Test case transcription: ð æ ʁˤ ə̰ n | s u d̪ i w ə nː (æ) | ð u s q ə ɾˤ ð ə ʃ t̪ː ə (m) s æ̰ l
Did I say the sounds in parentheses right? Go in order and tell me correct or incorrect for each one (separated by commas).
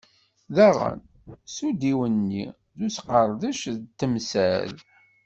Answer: incorrect, correct